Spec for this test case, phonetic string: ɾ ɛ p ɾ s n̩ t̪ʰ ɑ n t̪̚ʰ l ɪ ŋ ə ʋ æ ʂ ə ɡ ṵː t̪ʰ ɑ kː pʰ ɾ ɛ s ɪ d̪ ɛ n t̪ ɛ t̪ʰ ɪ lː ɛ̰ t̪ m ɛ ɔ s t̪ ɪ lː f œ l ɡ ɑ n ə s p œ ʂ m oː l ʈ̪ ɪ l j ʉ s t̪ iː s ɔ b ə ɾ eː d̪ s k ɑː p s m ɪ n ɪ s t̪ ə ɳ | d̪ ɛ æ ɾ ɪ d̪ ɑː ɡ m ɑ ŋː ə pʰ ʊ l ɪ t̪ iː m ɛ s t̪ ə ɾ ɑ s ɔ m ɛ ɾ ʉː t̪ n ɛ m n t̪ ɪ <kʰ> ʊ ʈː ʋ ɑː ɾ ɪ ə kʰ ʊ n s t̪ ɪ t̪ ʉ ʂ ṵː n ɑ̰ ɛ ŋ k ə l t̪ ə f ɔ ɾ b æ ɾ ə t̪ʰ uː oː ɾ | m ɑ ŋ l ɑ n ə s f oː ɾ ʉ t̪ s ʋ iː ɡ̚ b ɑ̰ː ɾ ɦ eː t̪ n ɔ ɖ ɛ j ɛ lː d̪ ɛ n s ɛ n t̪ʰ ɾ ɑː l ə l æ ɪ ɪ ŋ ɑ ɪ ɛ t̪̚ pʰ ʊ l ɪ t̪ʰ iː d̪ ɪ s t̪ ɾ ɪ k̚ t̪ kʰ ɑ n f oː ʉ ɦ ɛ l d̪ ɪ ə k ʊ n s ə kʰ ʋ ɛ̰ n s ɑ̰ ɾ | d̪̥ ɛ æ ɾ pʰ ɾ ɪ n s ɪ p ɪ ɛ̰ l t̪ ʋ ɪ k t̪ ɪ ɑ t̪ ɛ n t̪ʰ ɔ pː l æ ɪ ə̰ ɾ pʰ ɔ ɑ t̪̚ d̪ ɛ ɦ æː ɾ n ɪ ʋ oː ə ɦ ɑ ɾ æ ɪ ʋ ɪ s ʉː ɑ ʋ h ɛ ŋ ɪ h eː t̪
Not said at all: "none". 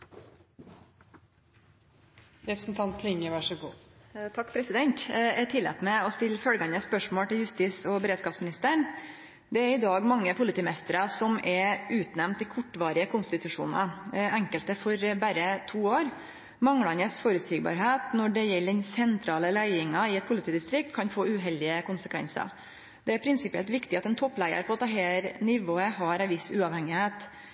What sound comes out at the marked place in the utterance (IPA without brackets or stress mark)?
kʰ